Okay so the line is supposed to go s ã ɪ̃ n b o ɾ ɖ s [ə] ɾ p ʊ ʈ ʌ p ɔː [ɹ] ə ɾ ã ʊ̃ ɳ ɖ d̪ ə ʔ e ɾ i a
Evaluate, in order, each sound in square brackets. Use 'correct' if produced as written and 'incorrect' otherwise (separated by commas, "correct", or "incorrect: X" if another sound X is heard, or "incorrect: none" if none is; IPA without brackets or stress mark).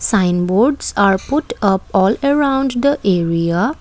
incorrect: a, incorrect: l